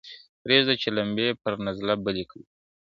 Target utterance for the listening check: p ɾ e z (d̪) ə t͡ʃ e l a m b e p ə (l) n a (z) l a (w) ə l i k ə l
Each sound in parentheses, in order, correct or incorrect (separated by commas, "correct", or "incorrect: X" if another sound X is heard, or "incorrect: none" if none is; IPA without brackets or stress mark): correct, incorrect: ɾ, correct, incorrect: b